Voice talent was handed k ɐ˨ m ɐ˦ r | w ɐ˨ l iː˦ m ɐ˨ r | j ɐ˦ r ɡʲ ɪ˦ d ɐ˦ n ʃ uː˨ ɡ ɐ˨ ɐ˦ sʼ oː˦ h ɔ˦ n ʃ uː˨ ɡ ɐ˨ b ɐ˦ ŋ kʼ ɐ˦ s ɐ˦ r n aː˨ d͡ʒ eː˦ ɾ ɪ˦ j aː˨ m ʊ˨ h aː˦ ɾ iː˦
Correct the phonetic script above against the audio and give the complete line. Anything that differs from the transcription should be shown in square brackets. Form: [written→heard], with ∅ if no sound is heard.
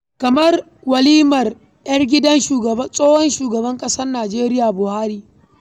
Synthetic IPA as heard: k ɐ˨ m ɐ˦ r | w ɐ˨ l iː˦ m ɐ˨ r | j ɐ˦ r ɡʲ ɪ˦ d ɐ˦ n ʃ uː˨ ɡ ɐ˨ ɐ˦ sʼ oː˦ h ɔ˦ n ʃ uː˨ ɡ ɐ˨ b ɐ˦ ŋ kʼ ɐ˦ s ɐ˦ r n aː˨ d͡ʒ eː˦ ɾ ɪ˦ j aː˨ [m→b] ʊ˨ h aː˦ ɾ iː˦